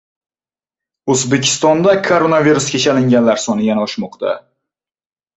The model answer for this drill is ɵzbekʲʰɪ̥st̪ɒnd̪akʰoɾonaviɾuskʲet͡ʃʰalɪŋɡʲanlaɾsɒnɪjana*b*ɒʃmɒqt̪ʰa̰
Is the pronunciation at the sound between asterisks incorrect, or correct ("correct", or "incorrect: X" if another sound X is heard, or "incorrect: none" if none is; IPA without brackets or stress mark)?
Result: incorrect: none